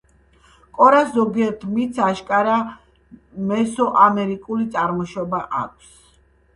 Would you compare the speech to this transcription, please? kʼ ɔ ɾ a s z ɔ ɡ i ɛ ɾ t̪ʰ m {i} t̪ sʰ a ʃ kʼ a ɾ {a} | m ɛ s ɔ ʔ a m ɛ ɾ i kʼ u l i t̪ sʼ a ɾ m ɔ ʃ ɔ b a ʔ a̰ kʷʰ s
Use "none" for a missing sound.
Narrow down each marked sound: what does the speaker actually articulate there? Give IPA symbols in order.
i, a

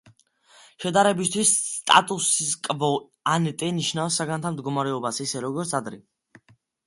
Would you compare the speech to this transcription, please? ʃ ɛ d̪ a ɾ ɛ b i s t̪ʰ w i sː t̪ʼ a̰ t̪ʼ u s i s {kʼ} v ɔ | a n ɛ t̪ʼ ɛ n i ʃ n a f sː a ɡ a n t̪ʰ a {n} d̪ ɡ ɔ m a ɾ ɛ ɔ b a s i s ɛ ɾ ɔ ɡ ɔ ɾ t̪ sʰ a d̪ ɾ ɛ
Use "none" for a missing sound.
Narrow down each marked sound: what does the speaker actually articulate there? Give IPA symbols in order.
kʼ, m

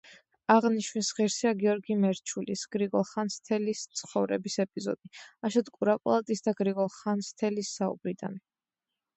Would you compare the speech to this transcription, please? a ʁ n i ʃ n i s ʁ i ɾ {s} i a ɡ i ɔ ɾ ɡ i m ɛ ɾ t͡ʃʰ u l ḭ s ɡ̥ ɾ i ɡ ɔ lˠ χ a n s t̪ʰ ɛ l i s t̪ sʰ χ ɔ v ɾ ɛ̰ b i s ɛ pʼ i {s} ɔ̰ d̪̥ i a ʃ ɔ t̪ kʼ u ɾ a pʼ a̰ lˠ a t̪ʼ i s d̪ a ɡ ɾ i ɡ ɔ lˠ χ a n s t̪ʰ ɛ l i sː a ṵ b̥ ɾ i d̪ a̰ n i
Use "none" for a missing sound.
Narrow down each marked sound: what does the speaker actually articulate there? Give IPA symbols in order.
s, z

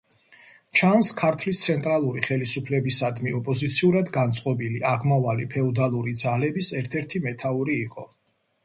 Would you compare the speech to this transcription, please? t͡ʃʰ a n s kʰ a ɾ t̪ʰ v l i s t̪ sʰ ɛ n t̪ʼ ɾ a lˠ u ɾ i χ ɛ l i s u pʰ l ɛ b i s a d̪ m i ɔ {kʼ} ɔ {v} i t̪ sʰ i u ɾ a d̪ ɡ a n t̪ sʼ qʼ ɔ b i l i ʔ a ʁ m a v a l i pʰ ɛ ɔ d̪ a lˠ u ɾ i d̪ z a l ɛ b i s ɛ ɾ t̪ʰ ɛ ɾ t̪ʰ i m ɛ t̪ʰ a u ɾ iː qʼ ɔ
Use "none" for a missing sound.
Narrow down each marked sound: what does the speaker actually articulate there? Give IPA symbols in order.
pʼ, z

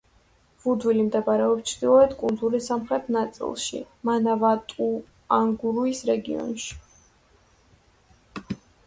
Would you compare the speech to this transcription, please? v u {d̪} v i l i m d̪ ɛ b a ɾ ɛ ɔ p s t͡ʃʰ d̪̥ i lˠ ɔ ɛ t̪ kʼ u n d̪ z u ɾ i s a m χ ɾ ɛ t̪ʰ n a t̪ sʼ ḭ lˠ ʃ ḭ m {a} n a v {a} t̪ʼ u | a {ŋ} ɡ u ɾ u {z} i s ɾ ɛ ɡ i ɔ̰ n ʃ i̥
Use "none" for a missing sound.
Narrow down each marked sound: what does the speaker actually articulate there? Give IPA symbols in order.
d̪, a, a, ŋ, none

